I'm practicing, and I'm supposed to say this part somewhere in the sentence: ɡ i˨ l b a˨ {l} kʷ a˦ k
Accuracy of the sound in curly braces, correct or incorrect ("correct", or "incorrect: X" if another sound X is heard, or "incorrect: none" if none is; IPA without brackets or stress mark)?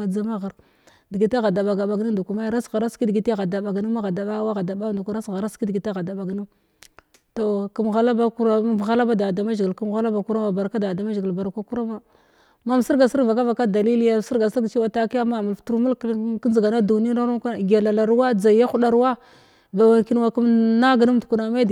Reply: incorrect: ɾ